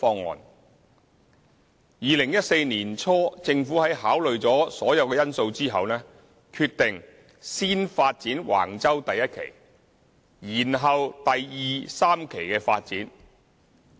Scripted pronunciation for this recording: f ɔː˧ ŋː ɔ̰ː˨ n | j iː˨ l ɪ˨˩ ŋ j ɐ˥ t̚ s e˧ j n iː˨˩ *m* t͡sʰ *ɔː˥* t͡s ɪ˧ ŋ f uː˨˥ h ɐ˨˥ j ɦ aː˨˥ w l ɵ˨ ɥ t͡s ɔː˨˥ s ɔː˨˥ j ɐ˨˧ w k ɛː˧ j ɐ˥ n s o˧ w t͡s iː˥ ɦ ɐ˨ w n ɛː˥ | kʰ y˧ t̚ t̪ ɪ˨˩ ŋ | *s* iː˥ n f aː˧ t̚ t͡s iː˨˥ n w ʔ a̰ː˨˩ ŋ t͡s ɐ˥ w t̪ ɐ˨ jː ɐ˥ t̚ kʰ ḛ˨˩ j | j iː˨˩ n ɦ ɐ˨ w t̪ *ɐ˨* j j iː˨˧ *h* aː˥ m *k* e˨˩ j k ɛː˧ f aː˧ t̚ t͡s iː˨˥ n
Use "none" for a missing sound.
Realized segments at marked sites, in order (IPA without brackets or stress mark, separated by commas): n, ɔː˥, s, ɐ˨, s, kʰ